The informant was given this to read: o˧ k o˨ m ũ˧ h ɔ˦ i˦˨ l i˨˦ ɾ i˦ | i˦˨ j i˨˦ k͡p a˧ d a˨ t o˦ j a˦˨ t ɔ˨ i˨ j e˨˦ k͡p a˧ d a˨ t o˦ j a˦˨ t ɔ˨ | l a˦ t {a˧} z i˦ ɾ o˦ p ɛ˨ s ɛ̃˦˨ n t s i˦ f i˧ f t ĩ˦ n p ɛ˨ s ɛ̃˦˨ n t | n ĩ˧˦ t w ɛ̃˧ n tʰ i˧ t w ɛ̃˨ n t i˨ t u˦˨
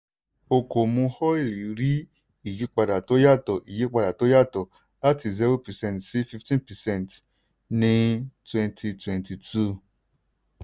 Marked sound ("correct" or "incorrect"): incorrect